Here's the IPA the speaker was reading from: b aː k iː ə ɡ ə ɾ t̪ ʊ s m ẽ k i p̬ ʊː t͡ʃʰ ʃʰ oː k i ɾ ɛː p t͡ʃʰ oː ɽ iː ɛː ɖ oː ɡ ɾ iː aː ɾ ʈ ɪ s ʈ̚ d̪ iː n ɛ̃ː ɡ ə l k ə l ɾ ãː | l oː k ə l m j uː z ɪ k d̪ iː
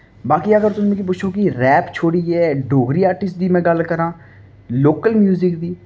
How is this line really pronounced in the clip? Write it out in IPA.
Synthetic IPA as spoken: b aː k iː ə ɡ ə ɾ t̪ ʊ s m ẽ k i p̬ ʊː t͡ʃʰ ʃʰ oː k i ɾ ɛː p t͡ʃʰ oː ɽ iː ɛː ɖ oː ɡ ɾ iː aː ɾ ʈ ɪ s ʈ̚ d̪ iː m ɛ̃ː ɡ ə l k ə ɾ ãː | l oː k ə l m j uː z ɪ k d̪ iː